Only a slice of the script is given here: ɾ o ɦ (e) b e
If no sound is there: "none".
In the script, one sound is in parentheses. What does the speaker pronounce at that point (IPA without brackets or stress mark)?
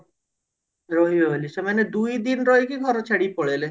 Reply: i